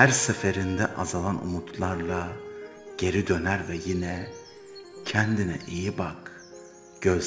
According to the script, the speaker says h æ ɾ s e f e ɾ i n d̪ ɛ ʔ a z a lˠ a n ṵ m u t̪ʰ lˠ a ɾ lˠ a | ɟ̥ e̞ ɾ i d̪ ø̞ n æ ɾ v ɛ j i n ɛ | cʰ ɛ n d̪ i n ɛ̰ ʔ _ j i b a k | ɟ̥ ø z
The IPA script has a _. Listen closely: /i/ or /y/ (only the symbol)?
i